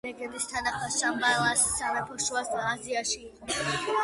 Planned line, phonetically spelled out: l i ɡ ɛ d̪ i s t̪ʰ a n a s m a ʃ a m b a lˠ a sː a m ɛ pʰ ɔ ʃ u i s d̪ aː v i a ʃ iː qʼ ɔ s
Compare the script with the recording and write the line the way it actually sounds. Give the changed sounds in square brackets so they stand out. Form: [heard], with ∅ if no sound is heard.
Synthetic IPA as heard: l [ɛ] ɡ ɛ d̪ i s t̪ʰ a n a [χ] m a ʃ a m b a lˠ a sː a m ɛ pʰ ɔ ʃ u [a] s d̪ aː [z] i a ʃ iː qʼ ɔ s